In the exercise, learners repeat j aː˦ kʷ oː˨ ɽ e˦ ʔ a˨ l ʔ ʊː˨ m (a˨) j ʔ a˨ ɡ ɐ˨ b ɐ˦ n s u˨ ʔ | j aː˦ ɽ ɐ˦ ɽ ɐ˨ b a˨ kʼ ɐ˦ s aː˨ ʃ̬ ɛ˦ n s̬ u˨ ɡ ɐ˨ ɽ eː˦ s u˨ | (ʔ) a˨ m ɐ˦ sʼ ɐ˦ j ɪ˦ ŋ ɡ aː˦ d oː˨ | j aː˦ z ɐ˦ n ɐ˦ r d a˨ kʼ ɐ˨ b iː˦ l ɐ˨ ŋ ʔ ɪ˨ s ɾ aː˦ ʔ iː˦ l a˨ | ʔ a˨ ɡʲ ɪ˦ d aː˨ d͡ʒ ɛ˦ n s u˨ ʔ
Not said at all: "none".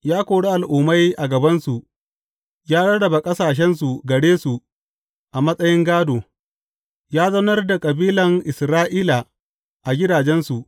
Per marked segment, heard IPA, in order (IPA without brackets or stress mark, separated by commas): a˦, ʔ